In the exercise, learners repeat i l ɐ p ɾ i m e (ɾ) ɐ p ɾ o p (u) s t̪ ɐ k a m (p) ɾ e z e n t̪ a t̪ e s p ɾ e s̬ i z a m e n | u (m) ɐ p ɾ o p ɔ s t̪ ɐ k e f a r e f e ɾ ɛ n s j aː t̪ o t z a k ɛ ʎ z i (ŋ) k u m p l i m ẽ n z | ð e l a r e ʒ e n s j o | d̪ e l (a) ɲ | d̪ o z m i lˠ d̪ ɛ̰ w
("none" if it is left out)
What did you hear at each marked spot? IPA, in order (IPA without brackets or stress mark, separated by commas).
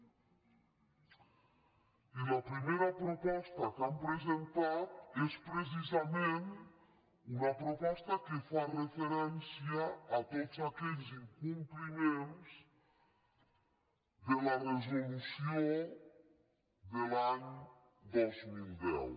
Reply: ɾ, ɔ, p, n, ŋ, a